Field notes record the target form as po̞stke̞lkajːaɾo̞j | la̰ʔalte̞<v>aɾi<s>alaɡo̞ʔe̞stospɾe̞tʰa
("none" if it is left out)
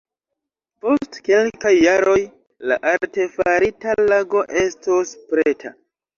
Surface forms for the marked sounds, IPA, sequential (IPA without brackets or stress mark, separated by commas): f, t